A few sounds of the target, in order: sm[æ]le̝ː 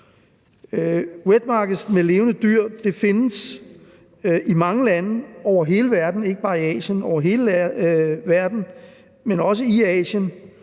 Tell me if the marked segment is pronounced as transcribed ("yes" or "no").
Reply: no